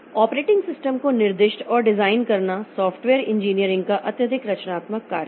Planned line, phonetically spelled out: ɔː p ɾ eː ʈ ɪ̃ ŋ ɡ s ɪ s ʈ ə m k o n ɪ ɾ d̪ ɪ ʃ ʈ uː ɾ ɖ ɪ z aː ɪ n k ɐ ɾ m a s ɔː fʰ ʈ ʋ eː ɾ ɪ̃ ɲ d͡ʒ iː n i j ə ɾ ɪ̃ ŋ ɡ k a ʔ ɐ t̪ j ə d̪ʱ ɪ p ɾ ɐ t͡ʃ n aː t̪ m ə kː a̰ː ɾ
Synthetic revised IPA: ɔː p ɾ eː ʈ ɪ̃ ŋ ɡ s ɪ s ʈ ə m k o n ɪ ɾ d̪ ɪ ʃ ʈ ɔː ɾ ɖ ɪ z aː ɪ n k ɐ ɾ n a s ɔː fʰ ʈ ʋ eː ɾ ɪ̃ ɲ d͡ʒ iː n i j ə ɾ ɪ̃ ŋ ɡ k a ʔ ɐ t̪ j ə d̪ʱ ɪ k ɾ ɐ t͡ʃ n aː t̪ m ə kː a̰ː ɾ